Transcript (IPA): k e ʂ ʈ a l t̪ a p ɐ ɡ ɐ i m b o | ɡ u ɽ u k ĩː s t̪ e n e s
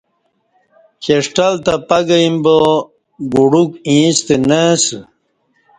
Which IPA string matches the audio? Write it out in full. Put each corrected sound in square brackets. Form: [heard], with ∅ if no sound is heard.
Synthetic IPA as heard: k e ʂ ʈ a l t̪ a p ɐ ɡ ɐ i m b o | ɡ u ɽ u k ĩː s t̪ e n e s